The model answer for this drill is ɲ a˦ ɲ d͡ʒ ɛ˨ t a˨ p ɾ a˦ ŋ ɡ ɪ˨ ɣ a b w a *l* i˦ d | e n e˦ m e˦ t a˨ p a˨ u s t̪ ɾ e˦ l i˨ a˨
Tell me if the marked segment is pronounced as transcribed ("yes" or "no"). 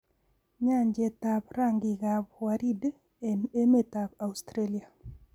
no